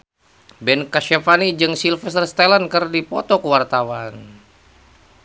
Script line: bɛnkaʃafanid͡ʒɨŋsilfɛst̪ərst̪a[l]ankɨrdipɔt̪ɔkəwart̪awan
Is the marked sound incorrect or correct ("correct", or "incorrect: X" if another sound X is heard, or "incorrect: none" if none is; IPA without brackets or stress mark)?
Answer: correct